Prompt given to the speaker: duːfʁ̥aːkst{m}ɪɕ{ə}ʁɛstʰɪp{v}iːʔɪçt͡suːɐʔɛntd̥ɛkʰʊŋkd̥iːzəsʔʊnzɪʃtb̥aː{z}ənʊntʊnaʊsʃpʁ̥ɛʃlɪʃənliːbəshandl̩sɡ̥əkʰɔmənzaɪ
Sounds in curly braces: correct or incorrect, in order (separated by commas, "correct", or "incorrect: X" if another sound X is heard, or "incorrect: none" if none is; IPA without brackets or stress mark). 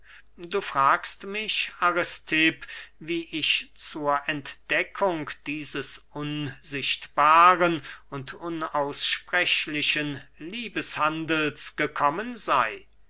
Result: correct, incorrect: a, correct, incorrect: ʁ